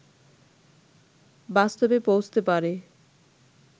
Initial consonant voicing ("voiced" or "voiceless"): voiced